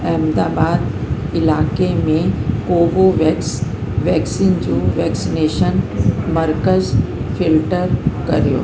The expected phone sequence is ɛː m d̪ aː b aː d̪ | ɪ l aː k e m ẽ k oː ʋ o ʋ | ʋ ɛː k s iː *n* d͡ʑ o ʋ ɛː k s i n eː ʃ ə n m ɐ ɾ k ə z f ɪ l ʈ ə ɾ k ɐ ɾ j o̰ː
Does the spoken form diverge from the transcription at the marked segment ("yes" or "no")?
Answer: no